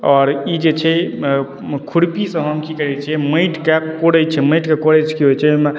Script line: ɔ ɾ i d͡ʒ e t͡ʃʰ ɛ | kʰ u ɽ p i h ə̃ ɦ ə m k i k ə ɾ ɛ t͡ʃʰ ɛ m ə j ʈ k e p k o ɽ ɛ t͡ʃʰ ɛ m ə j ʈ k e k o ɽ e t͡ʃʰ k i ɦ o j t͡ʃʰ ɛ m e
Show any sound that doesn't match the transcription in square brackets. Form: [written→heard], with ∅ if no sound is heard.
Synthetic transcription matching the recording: ɔ ɾ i d͡ʒ e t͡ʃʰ ɛ | kʰ u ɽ p i [h→s] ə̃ ɦ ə m k i k ə ɾ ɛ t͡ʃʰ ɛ m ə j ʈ k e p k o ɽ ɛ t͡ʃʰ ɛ m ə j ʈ k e k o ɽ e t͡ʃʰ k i ɦ o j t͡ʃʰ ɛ m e